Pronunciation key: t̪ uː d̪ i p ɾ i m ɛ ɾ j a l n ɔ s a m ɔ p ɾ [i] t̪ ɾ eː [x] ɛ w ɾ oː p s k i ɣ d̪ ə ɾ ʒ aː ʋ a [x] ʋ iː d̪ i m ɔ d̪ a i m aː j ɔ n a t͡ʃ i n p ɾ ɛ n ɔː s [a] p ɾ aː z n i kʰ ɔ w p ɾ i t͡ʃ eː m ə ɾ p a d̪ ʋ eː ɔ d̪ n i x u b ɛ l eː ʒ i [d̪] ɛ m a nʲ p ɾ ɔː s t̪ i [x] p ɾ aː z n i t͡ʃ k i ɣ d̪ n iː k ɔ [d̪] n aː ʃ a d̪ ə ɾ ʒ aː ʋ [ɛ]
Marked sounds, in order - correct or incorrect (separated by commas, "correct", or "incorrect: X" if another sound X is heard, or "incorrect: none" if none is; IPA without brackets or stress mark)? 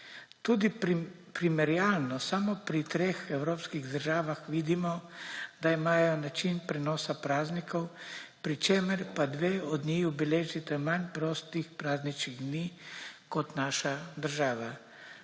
correct, correct, correct, correct, incorrect: t̪, correct, incorrect: t̪, incorrect: a